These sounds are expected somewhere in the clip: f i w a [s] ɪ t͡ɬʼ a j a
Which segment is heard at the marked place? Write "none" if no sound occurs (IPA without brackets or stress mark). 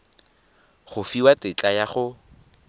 t